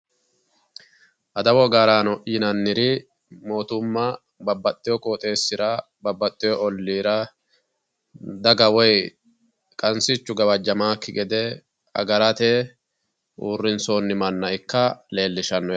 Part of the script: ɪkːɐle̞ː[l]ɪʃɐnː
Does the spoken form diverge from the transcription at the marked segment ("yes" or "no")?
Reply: yes